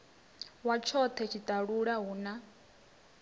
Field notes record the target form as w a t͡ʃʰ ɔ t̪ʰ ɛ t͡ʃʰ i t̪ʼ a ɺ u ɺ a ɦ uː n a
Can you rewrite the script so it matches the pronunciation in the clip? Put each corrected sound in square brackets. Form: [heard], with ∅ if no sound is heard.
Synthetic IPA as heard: w a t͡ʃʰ ɔ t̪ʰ ɛ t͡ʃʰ i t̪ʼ a ɺ u ɺ a ɦ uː n a